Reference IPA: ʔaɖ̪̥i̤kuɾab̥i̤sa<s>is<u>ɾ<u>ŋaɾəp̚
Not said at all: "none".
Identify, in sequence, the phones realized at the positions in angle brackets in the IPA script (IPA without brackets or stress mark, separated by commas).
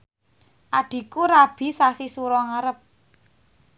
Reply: s, u, ɔ